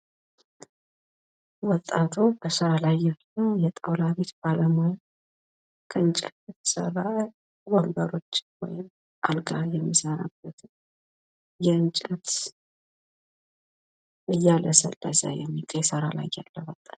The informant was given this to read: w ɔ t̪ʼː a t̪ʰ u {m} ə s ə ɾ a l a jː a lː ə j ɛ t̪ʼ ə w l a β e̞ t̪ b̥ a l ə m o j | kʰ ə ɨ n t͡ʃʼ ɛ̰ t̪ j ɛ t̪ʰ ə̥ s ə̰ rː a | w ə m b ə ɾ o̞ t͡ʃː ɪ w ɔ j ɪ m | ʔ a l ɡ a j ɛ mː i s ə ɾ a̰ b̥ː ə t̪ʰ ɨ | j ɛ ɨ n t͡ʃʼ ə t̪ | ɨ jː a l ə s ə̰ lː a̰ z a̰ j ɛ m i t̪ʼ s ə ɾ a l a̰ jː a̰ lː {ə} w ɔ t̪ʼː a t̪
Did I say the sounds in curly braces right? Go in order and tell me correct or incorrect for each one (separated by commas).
incorrect, correct